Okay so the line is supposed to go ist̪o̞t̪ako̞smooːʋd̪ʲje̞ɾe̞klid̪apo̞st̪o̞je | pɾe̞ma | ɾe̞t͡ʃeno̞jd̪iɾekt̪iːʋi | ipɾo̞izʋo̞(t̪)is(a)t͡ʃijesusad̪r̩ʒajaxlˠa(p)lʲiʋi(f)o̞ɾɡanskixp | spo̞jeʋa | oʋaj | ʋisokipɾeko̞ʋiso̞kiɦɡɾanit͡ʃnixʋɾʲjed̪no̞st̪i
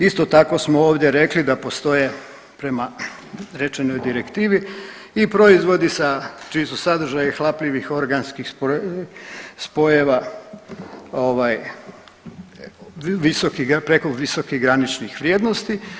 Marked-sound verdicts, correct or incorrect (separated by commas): incorrect, correct, correct, incorrect